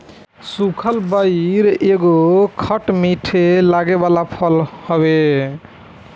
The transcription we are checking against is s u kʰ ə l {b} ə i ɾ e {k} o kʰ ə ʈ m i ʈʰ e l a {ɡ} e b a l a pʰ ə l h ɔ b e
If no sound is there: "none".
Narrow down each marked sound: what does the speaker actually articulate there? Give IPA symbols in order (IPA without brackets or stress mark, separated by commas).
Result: b, ɡ, ɡ